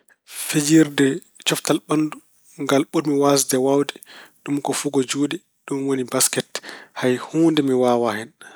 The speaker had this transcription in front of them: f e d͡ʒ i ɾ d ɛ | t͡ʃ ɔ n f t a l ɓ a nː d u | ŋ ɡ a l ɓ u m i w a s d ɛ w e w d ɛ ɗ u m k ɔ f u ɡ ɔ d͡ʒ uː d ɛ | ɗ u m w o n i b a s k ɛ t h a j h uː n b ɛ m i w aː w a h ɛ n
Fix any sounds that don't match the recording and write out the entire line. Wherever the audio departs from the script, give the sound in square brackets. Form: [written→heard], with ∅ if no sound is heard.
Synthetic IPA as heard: f e d͡ʒ i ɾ d ɛ | t͡ʃ ɔ [n→∅] f t a l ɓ a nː d u | ŋ ɡ a l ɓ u m i w a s d ɛ w [e→a] w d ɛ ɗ u m k ɔ f u ɡ ɔ d͡ʒ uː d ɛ | ɗ u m w o n i b a s k ɛ t h a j h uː n [b→d] ɛ m i w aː w a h ɛ n